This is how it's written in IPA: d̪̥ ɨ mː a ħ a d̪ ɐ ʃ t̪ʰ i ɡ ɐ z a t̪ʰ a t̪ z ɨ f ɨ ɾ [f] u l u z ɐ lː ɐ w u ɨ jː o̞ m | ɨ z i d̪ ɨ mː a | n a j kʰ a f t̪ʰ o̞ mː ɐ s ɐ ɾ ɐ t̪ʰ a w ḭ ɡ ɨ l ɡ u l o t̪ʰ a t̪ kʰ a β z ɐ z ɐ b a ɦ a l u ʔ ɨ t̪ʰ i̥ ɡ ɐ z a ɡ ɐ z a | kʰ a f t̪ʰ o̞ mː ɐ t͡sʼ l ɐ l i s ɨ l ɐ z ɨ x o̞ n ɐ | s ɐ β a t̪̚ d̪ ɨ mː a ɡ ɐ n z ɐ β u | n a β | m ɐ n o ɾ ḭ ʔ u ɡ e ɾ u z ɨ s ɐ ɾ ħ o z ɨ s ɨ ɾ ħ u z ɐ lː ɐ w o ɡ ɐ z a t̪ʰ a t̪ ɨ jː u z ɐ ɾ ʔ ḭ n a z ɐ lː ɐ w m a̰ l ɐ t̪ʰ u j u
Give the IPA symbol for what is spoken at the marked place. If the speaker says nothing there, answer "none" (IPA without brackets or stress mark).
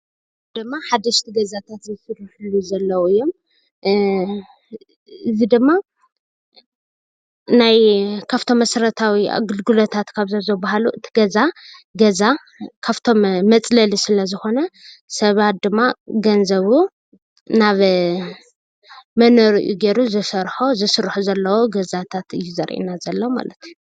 ħ